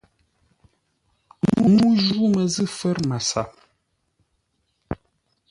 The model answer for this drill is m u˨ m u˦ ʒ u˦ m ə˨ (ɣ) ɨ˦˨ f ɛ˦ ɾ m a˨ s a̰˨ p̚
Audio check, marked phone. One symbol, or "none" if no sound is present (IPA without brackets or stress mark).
z